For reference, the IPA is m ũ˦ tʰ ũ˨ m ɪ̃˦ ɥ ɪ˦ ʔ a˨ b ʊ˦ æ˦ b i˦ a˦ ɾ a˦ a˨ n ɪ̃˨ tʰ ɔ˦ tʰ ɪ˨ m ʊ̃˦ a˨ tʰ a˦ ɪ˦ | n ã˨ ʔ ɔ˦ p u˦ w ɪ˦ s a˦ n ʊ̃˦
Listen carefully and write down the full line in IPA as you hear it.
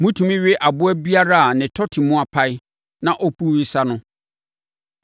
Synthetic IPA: m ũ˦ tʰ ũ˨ m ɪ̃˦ ɥ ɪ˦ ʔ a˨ b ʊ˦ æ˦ b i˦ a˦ ɾ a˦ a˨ n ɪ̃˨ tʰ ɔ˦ tʰ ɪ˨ m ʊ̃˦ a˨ pʰ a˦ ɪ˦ | n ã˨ ʔ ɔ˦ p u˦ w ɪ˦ s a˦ n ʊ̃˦